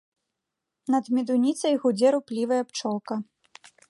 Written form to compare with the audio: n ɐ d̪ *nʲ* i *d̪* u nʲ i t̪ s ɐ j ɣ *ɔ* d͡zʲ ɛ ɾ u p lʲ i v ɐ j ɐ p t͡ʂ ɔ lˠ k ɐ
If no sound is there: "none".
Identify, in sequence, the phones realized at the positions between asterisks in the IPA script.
mʲ, d̪, u

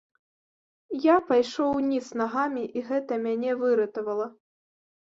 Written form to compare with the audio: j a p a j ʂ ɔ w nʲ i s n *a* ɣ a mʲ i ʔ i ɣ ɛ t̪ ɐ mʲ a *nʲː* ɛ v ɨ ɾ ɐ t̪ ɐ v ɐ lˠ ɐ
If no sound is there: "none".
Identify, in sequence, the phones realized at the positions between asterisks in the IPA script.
a, nʲ

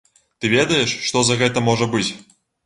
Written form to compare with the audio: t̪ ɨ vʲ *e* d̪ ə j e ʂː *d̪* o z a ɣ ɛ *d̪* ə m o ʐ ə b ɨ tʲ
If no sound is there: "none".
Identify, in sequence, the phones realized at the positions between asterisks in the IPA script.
e, t̪, t̪

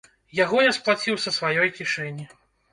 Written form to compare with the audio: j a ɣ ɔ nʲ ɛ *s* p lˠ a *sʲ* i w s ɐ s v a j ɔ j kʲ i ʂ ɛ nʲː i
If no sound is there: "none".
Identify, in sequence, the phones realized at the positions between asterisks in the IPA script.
s, t͡sʲ

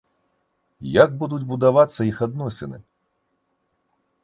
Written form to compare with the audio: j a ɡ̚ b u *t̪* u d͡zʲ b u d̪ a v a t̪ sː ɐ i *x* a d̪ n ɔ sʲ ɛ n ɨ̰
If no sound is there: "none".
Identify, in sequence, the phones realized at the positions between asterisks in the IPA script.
d̪, x

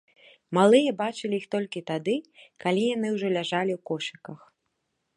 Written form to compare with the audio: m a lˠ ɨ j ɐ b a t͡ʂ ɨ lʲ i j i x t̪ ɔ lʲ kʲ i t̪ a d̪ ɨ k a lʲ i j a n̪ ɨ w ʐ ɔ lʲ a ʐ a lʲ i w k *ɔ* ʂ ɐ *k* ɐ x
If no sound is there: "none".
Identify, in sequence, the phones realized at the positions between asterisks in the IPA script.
ɔ, k

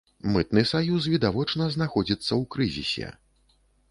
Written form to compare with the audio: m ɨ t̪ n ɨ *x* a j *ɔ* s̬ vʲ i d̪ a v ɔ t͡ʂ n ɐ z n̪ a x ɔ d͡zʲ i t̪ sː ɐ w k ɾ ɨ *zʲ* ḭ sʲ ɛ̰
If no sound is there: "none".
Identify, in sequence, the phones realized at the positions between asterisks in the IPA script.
s, u, zʲ

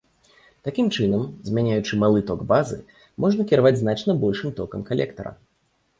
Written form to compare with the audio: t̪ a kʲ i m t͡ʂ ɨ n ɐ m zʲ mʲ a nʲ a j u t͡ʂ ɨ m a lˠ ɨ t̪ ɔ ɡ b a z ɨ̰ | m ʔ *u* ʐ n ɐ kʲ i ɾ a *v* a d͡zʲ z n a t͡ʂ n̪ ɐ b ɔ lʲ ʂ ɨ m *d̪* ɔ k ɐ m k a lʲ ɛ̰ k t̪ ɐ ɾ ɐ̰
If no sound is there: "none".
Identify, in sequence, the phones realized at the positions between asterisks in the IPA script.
ɔ, v, t̪

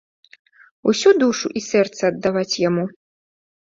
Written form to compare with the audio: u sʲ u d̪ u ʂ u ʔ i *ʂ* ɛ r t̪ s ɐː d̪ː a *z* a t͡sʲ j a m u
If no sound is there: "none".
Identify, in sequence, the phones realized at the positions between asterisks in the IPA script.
s, v

